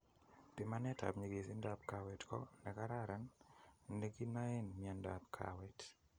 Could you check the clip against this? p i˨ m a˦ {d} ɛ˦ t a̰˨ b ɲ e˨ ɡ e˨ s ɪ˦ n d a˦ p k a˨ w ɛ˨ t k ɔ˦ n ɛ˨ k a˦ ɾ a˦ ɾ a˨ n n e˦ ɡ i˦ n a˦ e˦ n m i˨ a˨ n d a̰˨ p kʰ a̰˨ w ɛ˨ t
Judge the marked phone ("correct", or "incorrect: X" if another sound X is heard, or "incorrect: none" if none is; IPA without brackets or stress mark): incorrect: n